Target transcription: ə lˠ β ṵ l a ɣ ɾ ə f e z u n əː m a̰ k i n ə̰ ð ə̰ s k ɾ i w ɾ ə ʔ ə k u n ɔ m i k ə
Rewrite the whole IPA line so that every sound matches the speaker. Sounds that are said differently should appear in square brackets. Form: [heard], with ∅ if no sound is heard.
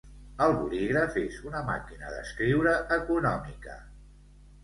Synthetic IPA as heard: ə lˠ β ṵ l [i] ɣ ɾ ə f e z u n [ə] m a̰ k i n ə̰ ð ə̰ s k ɾ i w ɾ ə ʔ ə k u n ɔ m i k ə